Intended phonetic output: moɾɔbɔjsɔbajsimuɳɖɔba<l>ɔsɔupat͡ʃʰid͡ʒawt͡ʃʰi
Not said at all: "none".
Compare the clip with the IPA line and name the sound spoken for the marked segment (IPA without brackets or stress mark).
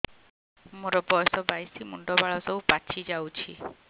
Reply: ɭ